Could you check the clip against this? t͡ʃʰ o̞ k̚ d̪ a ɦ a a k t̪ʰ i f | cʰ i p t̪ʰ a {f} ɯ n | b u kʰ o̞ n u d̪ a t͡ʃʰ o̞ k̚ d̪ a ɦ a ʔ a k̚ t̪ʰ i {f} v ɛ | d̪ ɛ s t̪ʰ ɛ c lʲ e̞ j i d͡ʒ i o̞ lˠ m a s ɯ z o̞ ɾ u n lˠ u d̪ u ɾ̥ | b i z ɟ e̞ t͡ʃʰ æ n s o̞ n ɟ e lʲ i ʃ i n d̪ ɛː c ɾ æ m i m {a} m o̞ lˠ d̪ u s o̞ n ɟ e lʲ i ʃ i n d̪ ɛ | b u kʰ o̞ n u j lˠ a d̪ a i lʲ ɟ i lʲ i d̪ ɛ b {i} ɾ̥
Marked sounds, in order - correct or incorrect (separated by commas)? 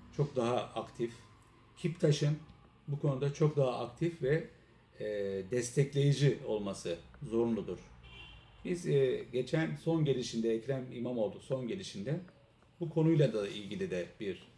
incorrect, correct, correct, correct